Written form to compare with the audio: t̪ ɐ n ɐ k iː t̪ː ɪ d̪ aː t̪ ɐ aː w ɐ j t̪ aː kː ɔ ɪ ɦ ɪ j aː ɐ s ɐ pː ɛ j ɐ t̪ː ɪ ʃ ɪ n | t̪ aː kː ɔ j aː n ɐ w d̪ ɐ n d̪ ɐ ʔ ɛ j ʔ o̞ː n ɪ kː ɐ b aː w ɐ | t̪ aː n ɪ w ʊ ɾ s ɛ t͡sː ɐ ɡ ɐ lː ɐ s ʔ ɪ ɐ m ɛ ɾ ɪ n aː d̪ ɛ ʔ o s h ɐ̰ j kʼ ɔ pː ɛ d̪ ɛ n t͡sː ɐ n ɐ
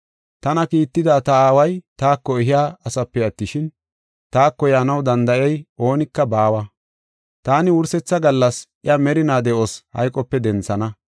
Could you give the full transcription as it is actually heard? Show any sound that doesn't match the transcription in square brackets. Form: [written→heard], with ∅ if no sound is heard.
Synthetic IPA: t̪ ɐ n ɐ k iː t̪ː ɪ d̪ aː t̪ ɐ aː w ɐ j t̪ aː kː ɔ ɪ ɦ ɪ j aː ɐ s ɐ pː ɛ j ɐ t̪ː ɪ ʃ ɪ n | t̪ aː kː ɔ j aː n ɐ w d̪ ɐ n d̪ ɐ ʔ ɛ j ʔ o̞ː n ɪ kː ɐ b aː w ɐ | t̪ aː n ɪ w ʊ ɾ s ɛ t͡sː ɐ ɡ ɐ lː ɐ s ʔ ɪ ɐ m ɛ ɾ ɪ n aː d̪ ɛ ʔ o s h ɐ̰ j kʼ ɔ pː ɛ d̪ ɛ n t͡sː ɐ n ɐ